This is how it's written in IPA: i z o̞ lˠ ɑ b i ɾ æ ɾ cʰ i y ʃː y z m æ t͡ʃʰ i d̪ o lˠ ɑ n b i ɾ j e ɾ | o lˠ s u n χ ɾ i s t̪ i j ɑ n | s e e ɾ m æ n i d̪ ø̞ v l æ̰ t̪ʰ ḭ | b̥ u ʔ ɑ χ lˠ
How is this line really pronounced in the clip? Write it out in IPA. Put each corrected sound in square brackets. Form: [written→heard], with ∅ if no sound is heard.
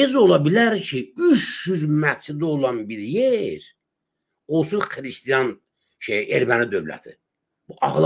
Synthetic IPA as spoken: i z o̞ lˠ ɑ b i [ɾ→l] æ ɾ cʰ i y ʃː y z m æ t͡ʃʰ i d̪ o lˠ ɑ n b i ɾ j e ɾ | o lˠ s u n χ ɾ i s t̪ i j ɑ n | [s→ʃ] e e ɾ m æ n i d̪ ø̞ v l æ̰ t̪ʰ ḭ | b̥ u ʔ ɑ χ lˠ